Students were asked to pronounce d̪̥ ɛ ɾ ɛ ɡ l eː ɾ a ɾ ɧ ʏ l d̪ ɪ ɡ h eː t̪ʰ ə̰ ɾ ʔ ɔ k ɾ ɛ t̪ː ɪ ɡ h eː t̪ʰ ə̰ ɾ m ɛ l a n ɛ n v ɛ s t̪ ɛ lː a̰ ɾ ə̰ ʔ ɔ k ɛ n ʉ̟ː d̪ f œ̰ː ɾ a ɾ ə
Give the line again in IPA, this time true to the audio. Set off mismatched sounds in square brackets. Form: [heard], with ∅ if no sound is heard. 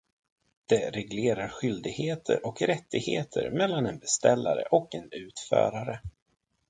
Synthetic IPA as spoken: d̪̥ ɛ ɾ ɛ ɡ l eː ɾ a ɾ ɧ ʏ l d̪ ɪ ɡ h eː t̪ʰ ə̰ ɾ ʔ ɔ k ɾ ɛ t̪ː ɪ ɡ h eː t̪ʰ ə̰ ɾ m ɛ [lː] a n ɛ n [b] ɛ s t̪ ɛ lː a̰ ɾ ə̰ ʔ ɔ k ɛ n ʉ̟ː [t̪] f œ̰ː ɾ a ɾ ə